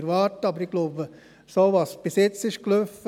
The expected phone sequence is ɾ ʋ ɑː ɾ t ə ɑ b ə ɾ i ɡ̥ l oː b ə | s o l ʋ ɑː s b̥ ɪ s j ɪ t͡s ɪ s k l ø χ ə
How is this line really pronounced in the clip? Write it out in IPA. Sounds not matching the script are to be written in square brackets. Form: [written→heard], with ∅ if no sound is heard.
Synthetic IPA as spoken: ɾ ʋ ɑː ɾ t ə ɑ b ə ɾ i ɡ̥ l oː b ə | s o [l→∅] ʋ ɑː s b̥ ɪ s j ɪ t͡s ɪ [s→ʃ] k l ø [χ→f] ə